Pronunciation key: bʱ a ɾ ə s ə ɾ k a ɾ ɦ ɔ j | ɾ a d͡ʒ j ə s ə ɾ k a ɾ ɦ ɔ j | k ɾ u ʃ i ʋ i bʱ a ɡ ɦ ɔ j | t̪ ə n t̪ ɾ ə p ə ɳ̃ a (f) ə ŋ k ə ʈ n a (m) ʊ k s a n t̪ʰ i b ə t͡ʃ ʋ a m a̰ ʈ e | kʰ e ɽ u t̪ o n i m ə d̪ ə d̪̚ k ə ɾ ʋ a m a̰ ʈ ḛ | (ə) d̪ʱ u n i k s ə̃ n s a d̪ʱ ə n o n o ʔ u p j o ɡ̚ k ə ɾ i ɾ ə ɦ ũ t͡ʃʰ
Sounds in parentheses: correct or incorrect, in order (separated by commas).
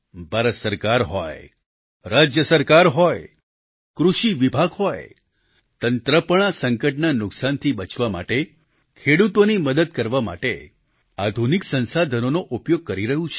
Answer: incorrect, incorrect, incorrect